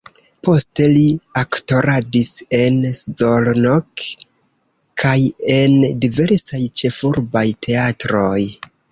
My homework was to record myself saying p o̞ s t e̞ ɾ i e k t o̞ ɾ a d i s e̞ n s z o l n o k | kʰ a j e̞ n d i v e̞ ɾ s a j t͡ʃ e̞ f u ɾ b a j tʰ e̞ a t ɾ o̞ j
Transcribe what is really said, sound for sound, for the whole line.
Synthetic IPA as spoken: p o̞ s t e̞ l i a k t o̞ ɾ a d i s e̞ n s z o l n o k | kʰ a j e̞ n d i v e̞ ɾ s a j t͡ʃ e̞ f u ɾ b a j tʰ e̞ a t ɾ o̞ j